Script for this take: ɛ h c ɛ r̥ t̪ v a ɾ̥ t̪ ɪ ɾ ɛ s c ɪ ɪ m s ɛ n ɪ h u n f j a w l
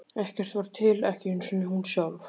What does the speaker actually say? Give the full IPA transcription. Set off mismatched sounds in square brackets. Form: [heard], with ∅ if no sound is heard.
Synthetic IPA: ɛ h c ɛ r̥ t̪ v a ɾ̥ [t̪ʰ] ɪ [l] ɛ [h] c ɪ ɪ [n] s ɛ n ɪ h u n [s] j a w l

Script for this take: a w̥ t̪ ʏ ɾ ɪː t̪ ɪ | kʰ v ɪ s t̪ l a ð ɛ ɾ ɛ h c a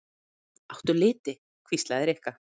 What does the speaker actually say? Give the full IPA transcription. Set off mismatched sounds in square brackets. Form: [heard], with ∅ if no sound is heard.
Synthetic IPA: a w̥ t̪ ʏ [l] ɪː t̪ ɪ | kʰ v [i] s t̪ l a ð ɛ ɾ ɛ h [k] a

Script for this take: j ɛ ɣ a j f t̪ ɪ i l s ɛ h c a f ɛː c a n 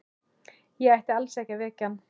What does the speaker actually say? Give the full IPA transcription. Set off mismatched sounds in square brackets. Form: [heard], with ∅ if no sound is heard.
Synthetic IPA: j ɛ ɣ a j [h] t̪ ɪ [a] l s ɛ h c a [v] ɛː c a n

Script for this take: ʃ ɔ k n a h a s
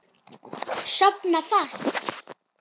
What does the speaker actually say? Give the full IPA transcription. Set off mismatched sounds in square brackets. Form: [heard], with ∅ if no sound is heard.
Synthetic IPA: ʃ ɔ [p] n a [f] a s

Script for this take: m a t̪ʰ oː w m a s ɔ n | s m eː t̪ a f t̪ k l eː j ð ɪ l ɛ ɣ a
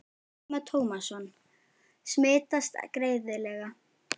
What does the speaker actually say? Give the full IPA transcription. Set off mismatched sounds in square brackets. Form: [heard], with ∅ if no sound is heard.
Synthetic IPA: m a t̪ʰ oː w m a s ɔ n | s m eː t̪ a [s] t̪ k [ɾ] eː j ð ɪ l ɛ ɣ a

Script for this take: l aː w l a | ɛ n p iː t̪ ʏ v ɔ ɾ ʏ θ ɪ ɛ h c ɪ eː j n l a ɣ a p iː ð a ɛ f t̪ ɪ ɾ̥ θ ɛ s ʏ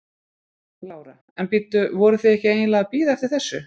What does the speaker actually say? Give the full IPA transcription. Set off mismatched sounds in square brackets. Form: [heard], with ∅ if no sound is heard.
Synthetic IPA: l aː w [ɾ] a | ɛ n p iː t̪ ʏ v ɔ ɾ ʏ θ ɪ ɛ h c ɪ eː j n l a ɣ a p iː ð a ɛ f t̪ ɪ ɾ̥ θ ɛ [sː] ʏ

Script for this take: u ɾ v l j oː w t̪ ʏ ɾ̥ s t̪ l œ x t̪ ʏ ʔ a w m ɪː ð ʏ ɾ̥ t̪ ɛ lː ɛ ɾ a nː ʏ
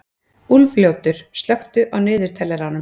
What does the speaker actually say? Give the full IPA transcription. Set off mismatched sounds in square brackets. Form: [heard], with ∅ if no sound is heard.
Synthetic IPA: u [l] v l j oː w t̪ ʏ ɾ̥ s t̪ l œ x t̪ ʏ ʔ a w [n] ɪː ð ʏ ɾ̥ [t̪ʰ] ɛ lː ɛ ɾ a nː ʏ

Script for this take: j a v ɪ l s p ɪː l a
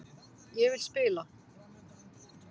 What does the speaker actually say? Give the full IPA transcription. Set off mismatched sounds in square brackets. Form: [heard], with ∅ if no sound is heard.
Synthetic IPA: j [ɛ] v ɪ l s p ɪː l a

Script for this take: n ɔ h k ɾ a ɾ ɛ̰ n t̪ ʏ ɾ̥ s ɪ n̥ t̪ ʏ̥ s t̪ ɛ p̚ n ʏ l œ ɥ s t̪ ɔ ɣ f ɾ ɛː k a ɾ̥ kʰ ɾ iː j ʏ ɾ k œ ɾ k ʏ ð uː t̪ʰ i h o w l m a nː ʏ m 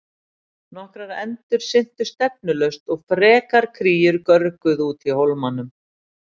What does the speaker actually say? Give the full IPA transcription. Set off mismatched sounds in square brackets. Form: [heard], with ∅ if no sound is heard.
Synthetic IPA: n ɔ h k ɾ a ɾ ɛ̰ n t̪ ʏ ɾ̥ s ɪ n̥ t̪ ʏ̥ s t̪ ɛ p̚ n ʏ l œ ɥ s t̪ ɔ ɣ f ɾ ɛː k a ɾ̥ kʰ ɾ iː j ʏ ɾ k œ ɾ k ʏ ð uː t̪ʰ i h o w l m a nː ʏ m

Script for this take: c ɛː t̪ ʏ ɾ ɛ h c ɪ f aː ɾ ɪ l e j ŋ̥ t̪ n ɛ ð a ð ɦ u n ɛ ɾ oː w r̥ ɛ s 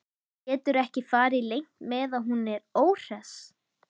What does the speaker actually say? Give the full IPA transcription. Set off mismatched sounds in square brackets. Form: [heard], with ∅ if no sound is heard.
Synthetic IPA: c ɛː t̪ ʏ ɾ ɛ h c ɪ f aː ɾ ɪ l e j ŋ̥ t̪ [m] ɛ ð a ð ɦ u n ɛ ɾ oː w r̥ ɛ s

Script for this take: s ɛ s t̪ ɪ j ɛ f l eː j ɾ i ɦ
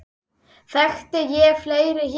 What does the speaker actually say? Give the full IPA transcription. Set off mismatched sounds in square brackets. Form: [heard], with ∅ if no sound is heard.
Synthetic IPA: [θ] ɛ [x] t̪ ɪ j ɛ f l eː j ɾ [ɪ] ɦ

